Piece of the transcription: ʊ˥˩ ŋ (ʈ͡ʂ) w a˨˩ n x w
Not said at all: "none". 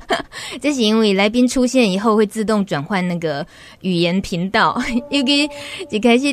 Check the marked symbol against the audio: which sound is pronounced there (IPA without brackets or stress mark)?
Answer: ʈ͡ʂ